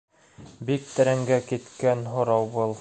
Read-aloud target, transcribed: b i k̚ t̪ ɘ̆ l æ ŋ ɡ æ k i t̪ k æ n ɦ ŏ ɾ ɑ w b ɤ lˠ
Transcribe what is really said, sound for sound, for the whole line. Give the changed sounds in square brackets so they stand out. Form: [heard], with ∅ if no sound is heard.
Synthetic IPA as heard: b i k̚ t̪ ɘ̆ [ɾ] æ ŋ ɡ æ k i t̪ k æ n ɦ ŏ ɾ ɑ w b ɤ lˠ

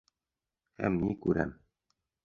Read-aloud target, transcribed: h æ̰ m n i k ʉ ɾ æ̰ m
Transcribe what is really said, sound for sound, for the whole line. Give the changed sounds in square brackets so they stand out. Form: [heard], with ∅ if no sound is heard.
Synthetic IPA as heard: h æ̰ m n i k ʉ ɾ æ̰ m

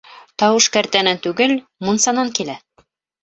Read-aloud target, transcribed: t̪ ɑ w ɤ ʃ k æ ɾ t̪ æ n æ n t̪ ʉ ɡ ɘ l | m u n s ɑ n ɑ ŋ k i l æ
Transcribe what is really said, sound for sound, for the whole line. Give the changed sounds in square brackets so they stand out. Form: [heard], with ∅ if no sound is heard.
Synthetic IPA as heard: t̪ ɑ w ɤ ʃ k æ ɾ t̪ æ n æ n t̪ ʉ ɡ ɘ l | m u n s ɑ n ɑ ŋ k i l æ

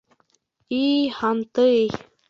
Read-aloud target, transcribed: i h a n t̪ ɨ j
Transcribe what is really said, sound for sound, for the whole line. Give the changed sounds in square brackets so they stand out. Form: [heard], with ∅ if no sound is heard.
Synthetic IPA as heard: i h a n t̪ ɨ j

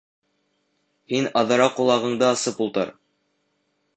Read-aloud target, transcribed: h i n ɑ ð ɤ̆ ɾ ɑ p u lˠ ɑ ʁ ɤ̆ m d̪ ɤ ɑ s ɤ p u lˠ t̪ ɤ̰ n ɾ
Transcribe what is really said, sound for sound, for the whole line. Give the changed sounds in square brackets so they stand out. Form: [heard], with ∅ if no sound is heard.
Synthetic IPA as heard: h i n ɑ ð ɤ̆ ɾ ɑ [q] u lˠ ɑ ʁ ɤ̆ [ɴ] d̪ ɤ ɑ s ɤ p u lˠ t̪ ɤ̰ [∅] ɾ

